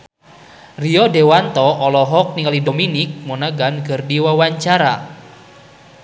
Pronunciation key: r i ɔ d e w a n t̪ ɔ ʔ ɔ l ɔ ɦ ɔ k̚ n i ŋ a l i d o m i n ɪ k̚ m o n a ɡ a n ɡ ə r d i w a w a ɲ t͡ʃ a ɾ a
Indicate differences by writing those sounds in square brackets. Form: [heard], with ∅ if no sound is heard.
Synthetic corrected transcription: r i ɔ d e w a n t̪ ɔ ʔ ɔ l ɔ ɦ ɔ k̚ n i ŋ a l i d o m i n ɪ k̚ m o n a ɡ a n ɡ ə r d i w a w a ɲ t͡ʃ a ɾ a